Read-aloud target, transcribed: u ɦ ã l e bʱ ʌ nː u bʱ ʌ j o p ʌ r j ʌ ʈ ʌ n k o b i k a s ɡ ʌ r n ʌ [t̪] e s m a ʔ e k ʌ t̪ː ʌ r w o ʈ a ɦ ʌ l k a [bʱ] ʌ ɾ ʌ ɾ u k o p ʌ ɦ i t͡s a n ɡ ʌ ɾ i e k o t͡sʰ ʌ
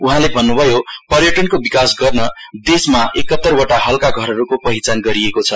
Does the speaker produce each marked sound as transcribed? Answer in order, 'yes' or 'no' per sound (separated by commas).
no, no